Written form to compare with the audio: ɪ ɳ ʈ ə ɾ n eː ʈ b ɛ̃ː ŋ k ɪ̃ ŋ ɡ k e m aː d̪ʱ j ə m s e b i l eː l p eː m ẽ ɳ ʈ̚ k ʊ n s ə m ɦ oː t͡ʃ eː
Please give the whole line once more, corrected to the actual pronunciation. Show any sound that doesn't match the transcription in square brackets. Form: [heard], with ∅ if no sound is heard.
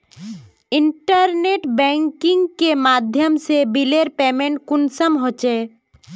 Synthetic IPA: ɪ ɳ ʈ ə ɾ n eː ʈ b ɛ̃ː ŋ k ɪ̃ ŋ ɡ k e m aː d̪ʱ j ə m s e b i l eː [ɾ] p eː m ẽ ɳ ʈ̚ k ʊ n s ə m ɦ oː t͡ʃ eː

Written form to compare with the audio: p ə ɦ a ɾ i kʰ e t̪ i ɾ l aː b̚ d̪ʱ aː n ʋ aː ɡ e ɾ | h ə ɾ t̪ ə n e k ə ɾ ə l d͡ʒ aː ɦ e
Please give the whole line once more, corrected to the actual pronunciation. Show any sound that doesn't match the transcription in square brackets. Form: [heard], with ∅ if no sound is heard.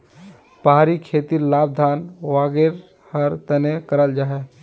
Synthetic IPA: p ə ɦ a ɾ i kʰ e t̪ i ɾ l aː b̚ d̪ʱ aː n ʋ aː ɡ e ɾ | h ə ɾ t̪ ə n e k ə ɾ ə l d͡ʒ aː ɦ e

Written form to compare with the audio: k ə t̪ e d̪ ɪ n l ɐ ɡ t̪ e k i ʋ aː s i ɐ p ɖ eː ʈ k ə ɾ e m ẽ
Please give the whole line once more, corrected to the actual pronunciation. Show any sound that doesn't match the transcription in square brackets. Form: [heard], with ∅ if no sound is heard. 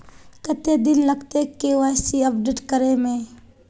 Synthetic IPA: k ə t̪ e d̪ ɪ n l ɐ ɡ t̪ e k [e] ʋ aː s i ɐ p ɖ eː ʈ k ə ɾ e m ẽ

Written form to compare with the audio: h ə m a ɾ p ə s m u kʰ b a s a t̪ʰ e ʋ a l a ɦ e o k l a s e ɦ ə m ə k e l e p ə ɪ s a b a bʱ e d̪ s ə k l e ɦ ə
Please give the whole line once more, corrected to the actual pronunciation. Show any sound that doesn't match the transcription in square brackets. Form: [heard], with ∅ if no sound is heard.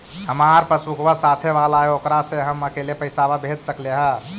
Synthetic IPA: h ə m a ɾ p ə s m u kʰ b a s a t̪ʰ e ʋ a l a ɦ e o k [ɾ] a s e ɦ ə m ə k e l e p ə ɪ s a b a bʱ e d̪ s ə k l e ɦ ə

